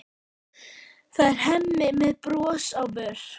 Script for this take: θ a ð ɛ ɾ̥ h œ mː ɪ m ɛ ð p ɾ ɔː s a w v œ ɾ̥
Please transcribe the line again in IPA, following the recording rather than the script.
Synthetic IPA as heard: θ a ð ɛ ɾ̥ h ɛ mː ɪ m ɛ ð p ɾ ɔː s a w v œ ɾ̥